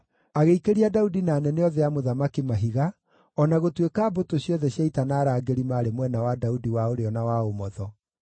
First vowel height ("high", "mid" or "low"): low